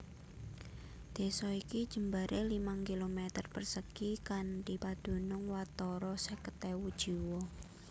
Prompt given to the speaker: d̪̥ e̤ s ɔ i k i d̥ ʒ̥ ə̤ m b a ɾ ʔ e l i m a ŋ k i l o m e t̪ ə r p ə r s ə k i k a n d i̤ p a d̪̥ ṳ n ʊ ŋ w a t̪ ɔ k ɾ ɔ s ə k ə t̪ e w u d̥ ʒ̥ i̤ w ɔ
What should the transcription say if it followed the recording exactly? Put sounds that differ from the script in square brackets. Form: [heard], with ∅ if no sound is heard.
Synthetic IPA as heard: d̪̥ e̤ s ɔ i k i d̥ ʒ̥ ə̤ m b a ɾ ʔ e l i m a ŋ k i l o m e t̪ ə r p ə r s ə k i k a n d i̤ p a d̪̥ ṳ n ʊ ŋ w a t̪ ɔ [∅] ɾ ɔ s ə k ə t̪ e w u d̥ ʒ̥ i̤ w ɔ